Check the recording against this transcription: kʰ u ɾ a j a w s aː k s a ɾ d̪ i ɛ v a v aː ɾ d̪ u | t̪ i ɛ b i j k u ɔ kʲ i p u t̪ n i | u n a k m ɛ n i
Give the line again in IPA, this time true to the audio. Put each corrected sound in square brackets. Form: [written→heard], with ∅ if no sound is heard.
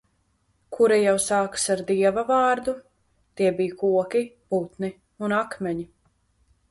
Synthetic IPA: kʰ u ɾ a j a w s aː k s a ɾ d̪ i ɛ v a v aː ɾ d̪ u | t̪ i ɛ b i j k u ɔ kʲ i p u t̪ n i | u n a k m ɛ [n→ɲ] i